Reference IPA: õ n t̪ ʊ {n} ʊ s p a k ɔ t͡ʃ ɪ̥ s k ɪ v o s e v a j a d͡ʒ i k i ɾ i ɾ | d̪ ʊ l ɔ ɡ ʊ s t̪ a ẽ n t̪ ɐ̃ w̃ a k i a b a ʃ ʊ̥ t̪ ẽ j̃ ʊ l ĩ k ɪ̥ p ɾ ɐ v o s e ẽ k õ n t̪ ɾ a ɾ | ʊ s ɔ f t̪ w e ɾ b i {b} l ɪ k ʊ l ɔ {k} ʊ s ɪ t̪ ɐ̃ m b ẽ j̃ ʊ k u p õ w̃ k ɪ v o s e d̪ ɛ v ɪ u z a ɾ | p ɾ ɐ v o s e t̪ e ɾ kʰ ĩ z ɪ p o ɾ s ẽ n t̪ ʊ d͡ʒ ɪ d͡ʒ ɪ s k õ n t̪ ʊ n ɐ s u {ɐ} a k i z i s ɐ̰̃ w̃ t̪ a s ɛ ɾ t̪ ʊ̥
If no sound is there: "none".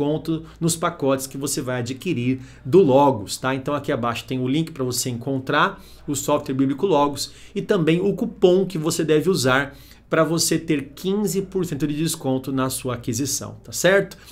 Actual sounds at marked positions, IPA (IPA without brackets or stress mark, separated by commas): n, b, ɡ, ɐ